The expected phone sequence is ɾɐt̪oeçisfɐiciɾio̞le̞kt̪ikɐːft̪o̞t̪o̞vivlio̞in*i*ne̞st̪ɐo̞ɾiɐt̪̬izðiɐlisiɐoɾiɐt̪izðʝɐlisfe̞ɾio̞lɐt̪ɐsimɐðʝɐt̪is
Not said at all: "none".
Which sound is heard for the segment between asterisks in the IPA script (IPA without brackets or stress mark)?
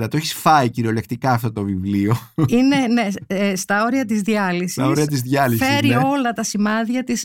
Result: e